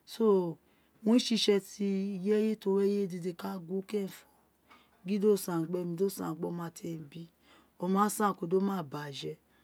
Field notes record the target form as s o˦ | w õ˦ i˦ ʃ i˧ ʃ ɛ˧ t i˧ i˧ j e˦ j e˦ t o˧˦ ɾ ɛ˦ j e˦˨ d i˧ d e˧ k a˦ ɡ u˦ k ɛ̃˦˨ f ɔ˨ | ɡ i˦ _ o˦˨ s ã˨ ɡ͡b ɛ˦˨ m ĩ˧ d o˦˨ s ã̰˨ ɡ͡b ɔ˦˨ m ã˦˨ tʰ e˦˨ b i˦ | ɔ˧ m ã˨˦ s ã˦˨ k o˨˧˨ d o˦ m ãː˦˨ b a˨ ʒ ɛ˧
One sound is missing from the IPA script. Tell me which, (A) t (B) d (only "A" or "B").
B